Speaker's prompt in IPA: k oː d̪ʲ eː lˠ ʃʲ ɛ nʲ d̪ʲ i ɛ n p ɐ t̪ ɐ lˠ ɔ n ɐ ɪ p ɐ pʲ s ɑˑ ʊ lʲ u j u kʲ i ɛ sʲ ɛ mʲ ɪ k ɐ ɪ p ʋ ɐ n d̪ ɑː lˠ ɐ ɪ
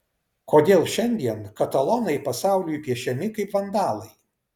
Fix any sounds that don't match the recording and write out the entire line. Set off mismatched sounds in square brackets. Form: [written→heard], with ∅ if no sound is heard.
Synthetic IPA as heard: k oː d̪ʲ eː lˠ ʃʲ ɛ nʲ d̪ʲ i ɛ n [p→k] ɐ t̪ ɐ lˠ ɔ n ɐ ɪ p ɐ [pʲ→∅] s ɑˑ ʊ lʲ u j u [kʲ→pʲ] i ɛ [sʲ→ʃʲ] ɛ mʲ ɪ k ɐ ɪ p ʋ ɐ n d̪ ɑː lˠ ɐ ɪ